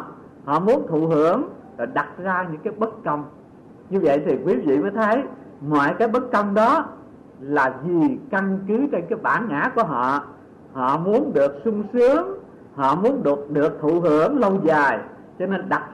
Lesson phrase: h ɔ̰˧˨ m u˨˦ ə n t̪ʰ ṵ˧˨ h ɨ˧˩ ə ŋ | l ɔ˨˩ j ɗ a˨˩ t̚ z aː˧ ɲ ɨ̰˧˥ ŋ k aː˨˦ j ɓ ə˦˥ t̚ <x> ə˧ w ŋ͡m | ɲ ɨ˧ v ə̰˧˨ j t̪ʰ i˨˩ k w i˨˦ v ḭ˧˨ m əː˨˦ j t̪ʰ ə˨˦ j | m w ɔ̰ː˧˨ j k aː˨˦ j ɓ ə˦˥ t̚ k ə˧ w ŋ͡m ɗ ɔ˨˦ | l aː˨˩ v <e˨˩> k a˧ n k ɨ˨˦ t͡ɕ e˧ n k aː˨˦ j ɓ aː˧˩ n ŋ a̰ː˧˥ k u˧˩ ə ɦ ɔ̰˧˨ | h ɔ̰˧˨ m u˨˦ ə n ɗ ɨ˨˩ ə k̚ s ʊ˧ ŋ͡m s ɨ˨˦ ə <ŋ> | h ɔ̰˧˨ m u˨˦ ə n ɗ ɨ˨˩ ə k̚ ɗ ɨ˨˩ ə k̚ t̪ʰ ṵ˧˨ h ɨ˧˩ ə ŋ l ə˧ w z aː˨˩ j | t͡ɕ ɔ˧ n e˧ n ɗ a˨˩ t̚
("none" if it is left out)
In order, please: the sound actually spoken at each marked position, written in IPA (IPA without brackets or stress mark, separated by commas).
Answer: k, i˨˩, ŋ